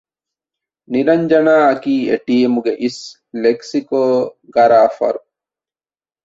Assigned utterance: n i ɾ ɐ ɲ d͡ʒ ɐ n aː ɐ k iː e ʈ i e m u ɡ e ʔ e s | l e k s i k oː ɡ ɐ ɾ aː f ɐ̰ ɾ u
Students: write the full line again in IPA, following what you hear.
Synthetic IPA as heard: n i ɾ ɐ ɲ d͡ʒ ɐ n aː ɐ k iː e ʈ i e m u ɡ e ʔ i s | l e k s i k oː ɡ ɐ ɾ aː f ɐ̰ ɾ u